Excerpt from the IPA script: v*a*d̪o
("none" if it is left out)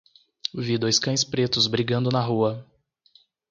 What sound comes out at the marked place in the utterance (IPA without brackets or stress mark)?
i